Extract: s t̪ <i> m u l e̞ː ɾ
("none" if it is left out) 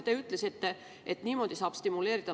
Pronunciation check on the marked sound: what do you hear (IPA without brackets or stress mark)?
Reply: i